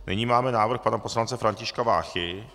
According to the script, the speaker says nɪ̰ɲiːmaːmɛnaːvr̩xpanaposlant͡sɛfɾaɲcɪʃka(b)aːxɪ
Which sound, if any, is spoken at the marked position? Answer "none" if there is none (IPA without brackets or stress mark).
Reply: v